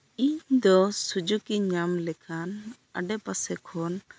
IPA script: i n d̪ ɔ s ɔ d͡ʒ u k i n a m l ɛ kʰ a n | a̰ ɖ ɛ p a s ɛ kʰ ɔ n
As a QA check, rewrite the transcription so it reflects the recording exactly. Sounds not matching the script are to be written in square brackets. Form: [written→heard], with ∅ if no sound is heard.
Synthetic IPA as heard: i [n→ɲ] d̪ ɔ s [ɔ→u] d͡ʒ u k i [n→ɲ] a m l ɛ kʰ a n | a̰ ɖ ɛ p a s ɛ kʰ ɔ n